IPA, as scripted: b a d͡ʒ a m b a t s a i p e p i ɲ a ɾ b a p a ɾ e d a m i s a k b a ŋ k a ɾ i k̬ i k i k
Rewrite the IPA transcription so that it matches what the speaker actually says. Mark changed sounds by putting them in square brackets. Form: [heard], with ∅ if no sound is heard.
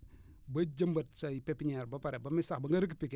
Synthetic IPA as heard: b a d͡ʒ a m b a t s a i p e p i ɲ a ɾ b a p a ɾ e [b] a m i s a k b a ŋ [ɡ] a ɾ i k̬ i [p] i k